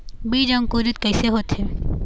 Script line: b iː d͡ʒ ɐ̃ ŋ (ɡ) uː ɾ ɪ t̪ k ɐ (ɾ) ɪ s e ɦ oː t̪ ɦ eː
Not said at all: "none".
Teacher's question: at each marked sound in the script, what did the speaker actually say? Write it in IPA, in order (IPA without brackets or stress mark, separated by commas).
k, none